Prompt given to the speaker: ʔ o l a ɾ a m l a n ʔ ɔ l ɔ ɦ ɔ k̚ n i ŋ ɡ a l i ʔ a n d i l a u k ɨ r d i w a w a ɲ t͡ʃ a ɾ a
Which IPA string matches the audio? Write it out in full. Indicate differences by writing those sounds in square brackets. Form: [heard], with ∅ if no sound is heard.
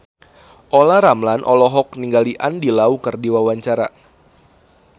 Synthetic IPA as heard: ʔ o l a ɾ a m l a n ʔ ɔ l ɔ ɦ ɔ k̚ n i ŋ ɡ a l i ʔ a n d i l a u k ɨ r d i w a w a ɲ t͡ʃ a ɾ a